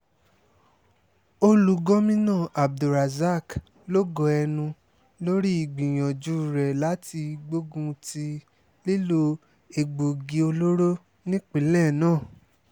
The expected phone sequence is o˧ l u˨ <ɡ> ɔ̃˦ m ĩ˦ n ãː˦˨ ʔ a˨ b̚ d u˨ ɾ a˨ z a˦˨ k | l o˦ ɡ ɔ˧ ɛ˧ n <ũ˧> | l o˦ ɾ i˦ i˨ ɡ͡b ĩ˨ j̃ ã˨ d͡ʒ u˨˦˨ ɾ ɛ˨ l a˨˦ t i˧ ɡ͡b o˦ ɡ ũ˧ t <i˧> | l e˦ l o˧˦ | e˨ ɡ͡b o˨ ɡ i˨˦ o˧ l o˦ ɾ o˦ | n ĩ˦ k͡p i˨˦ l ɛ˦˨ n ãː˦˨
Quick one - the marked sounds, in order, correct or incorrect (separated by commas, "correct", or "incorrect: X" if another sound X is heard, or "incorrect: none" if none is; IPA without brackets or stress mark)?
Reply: correct, correct, correct